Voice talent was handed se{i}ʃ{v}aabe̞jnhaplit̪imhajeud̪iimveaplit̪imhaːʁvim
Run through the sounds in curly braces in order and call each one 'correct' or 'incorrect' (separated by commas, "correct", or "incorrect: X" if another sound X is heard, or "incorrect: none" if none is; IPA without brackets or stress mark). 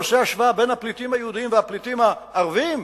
incorrect: a, correct